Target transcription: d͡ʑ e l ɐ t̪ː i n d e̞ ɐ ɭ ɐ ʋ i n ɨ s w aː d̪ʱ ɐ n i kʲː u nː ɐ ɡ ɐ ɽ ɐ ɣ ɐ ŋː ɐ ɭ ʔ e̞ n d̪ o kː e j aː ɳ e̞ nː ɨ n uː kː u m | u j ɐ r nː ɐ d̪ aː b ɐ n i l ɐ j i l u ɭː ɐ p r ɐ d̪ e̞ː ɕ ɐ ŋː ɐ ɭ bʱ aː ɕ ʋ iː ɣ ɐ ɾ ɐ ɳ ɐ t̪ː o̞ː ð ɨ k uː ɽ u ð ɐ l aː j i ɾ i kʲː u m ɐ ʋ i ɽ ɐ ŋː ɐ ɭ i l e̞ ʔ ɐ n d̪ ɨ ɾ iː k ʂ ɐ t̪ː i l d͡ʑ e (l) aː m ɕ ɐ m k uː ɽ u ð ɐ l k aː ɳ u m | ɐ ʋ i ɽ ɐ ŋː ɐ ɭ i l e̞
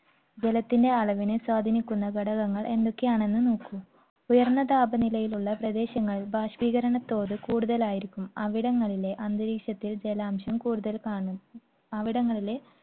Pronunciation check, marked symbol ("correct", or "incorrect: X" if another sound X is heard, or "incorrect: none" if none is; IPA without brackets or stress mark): correct